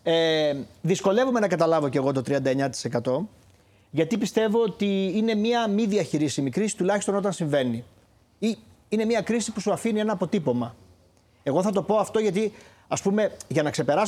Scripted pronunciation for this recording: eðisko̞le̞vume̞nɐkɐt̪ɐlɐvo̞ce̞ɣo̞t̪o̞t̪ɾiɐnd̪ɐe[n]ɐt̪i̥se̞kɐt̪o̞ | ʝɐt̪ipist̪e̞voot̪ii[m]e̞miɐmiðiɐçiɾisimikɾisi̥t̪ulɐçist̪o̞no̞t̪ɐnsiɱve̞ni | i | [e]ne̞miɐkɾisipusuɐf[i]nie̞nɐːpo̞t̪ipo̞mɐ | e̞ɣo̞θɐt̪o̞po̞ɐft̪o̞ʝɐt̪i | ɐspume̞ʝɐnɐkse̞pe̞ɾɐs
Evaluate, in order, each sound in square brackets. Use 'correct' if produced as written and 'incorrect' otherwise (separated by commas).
incorrect, incorrect, incorrect, correct